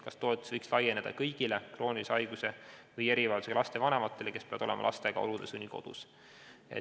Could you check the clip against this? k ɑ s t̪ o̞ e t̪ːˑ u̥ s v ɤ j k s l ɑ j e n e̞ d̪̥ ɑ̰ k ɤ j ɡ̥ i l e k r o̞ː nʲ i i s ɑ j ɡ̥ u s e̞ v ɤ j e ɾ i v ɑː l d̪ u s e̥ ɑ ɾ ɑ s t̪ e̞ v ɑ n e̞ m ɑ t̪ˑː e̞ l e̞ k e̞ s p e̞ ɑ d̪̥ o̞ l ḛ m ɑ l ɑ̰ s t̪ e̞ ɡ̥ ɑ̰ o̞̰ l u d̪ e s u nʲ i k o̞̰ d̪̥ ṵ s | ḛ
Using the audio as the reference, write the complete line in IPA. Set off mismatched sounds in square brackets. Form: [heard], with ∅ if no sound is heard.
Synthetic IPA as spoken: k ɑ s t̪ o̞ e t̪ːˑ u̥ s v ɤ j k s l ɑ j e n e̞ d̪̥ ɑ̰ k ɤ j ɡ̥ i l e k r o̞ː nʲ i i s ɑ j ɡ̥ u s e̞ v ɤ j e ɾ i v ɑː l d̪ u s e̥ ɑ [l] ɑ s t̪ e̞ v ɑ n e̞ m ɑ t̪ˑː e̞ l e̞ k e̞ s p e̞ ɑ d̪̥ o̞ l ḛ m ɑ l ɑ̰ s t̪ e̞ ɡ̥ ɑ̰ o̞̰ l u d̪ e s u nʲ i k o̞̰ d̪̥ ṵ s | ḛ